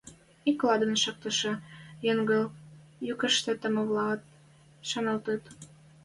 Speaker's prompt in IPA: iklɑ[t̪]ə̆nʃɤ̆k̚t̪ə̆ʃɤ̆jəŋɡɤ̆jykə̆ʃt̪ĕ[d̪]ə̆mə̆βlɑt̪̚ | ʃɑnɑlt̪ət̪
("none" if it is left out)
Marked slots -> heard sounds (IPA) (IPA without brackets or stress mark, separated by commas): d̪, t̪